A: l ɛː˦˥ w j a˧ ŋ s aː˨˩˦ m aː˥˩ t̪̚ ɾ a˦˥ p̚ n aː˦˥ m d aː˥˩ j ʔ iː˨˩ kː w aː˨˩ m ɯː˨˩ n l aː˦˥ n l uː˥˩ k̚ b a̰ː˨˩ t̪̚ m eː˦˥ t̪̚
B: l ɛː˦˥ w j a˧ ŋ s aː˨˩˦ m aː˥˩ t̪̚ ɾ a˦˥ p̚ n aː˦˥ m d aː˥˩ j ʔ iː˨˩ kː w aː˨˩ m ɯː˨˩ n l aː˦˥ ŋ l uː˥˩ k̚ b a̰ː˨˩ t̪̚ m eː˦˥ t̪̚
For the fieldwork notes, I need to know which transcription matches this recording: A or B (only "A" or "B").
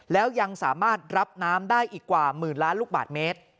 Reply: A